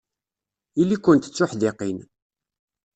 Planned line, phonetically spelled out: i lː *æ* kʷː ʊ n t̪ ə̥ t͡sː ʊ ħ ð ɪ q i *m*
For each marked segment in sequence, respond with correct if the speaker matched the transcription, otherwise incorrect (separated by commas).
incorrect, incorrect